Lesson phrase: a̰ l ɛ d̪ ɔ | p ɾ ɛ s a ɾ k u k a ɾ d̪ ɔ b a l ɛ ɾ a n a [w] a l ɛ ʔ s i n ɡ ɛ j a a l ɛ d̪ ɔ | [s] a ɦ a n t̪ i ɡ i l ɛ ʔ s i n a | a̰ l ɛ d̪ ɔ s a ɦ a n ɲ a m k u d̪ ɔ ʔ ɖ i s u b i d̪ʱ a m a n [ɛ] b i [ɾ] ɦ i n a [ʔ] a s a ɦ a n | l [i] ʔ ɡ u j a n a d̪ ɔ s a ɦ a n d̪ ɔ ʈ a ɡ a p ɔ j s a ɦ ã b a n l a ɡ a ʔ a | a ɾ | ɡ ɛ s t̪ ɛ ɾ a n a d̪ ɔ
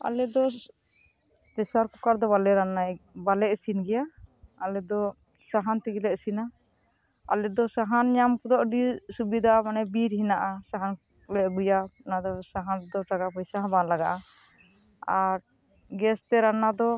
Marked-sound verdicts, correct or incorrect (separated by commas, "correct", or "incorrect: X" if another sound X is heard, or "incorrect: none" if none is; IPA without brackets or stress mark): incorrect: b, correct, correct, correct, correct, incorrect: ɛ